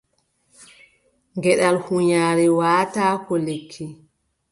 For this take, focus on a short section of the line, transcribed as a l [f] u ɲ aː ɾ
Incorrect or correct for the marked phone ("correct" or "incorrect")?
incorrect